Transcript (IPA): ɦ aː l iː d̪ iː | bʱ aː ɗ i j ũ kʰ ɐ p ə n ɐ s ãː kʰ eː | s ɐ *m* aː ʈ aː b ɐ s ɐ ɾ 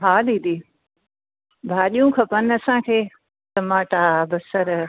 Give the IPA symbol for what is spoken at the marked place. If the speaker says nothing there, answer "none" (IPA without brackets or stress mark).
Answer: m